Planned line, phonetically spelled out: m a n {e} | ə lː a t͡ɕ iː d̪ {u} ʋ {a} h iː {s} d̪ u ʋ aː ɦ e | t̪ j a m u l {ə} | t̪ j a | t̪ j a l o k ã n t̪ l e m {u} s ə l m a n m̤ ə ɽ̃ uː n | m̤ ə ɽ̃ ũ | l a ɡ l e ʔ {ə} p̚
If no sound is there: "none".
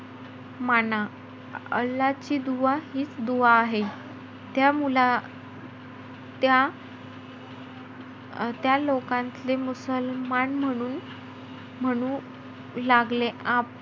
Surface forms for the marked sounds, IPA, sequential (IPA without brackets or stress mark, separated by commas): a, u, a, t͡s, a, u, a